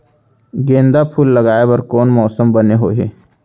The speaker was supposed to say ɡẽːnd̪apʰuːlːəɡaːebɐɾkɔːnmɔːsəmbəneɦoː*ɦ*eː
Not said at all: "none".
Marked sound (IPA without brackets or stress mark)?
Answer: ɦ